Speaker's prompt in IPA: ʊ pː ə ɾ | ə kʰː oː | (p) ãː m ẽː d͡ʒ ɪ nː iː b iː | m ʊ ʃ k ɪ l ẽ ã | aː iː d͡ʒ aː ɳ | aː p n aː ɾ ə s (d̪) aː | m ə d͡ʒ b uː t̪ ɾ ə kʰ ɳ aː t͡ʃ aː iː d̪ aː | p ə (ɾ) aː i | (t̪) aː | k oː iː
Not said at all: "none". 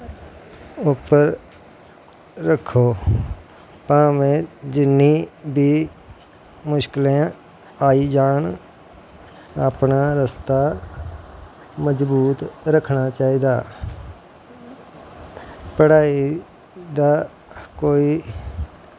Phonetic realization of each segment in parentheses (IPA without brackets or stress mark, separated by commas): p, t̪, ɽ, d̪